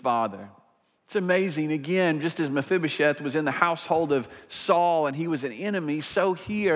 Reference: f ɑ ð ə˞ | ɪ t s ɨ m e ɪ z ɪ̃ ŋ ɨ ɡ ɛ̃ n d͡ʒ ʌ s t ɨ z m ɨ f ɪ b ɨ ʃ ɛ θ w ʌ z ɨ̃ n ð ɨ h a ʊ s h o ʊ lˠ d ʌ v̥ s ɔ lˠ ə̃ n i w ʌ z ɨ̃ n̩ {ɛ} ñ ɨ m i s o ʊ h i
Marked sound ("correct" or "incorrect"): correct